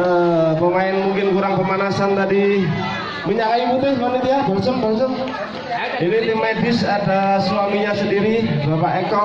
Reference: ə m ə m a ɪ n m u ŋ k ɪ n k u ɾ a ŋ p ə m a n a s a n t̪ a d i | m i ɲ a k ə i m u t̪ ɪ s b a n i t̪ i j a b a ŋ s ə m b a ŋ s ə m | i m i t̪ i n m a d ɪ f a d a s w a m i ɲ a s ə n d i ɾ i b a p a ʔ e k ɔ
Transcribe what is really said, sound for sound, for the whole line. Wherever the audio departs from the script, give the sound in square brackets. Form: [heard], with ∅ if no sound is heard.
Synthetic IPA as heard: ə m ə m a ɪ n m u ŋ k ɪ n k u ɾ a ŋ p ə m a n a s a n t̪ a d i | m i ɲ a k [a] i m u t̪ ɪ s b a n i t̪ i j a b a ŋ s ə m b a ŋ s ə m | i [n] i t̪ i [∅] m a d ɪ [s] a d a s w a m i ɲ a s ə n d i ɾ i b a p a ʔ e k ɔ